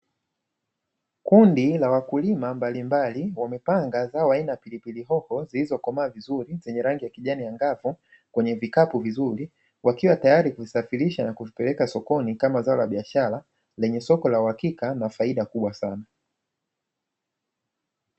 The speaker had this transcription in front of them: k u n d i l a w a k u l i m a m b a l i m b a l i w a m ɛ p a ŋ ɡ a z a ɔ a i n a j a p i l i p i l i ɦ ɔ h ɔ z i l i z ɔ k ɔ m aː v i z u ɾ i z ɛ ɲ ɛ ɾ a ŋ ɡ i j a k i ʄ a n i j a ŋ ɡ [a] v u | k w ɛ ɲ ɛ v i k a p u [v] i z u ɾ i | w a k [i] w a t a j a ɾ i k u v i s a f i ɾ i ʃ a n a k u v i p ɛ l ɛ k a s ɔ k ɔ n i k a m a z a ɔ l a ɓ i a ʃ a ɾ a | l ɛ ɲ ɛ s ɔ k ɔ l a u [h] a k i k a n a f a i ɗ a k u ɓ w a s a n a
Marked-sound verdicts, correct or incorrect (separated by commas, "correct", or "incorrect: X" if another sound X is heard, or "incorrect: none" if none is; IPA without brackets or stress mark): correct, correct, correct, correct